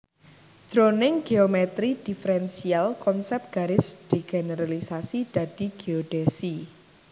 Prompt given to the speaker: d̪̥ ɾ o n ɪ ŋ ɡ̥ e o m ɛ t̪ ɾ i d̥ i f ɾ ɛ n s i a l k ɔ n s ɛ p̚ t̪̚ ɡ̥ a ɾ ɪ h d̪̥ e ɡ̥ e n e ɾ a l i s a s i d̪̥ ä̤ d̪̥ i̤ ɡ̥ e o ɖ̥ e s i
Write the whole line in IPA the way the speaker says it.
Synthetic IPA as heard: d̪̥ ɾ o n ɪ ŋ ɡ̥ e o m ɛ t̪ ɾ i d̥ i f ɾ ɛ n s i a l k ɔ n s ɛ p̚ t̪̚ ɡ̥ a ɾ ɪ s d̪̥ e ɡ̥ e n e ɾ a l i s a s i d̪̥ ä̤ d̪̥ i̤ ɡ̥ e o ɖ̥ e s i